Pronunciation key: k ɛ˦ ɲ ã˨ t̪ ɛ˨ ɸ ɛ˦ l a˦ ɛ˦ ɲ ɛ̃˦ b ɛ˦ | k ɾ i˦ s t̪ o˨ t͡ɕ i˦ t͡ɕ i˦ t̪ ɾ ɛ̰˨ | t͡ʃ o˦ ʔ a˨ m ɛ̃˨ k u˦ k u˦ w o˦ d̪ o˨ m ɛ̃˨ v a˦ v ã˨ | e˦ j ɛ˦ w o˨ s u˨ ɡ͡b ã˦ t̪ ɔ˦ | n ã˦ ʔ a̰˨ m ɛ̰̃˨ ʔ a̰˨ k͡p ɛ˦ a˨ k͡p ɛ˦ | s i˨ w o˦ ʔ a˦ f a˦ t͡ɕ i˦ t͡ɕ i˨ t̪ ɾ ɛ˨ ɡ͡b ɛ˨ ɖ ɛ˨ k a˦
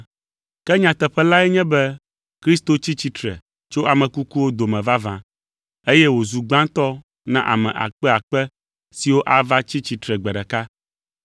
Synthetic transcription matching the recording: k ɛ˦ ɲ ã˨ t̪ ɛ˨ ɸ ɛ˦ l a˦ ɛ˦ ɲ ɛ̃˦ b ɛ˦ | k ɾ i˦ s t̪ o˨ t͡ɕ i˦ t͡ɕ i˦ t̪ ɾ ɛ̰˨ | t͡ʃ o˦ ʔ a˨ m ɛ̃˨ k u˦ k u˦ w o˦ d̪ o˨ m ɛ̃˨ v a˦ v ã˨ | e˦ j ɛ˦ w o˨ z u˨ ɡ͡b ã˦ t̪ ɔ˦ | n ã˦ ʔ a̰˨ m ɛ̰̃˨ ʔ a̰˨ k͡p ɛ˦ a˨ k͡p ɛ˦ | s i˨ w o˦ ʔ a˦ v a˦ t͡ɕ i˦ t͡ɕ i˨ t̪ ɾ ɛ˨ ɡ͡b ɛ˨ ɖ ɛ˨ k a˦